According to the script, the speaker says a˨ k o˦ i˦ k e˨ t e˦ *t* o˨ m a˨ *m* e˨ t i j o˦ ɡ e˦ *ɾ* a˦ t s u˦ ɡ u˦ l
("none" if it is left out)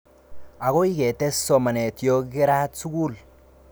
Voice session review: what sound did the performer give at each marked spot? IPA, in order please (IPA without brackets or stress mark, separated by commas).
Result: s, n, ɾ